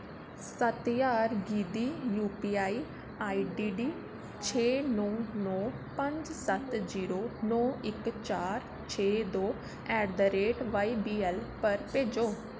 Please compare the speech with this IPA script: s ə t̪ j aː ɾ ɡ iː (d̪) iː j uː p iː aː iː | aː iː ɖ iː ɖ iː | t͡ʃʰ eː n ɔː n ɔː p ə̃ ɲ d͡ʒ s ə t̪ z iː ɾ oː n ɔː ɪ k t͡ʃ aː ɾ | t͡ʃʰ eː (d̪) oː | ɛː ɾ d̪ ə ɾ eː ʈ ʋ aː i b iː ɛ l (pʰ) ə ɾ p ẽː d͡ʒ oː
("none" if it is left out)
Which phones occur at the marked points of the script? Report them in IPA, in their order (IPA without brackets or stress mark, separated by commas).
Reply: d̪, d̪, p